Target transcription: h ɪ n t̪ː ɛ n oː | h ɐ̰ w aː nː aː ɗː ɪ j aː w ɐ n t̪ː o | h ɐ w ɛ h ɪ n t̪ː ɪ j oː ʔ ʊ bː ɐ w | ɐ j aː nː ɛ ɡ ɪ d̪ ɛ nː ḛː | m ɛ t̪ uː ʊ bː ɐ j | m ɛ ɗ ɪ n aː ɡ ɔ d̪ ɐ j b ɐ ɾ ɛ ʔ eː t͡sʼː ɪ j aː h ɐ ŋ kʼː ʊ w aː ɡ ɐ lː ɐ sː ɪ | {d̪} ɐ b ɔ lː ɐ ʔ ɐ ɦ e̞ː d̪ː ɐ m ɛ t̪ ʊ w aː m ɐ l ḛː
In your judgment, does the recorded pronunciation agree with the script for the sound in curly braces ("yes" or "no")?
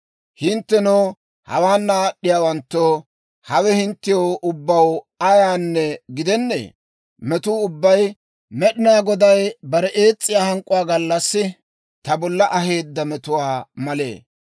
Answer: no